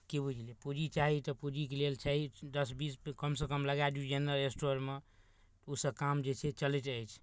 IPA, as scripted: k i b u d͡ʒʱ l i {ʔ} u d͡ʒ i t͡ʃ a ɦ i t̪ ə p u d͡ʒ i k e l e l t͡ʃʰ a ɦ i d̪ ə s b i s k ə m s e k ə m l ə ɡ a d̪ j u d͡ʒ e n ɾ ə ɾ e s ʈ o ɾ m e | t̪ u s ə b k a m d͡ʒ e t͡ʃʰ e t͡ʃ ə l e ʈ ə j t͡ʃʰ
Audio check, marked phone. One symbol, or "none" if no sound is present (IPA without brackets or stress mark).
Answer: p